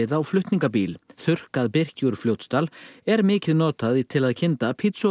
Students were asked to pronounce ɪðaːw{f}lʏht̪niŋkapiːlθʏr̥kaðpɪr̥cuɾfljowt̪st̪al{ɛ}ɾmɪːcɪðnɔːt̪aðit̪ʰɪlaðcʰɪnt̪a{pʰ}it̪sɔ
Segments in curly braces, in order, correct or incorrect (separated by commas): correct, correct, correct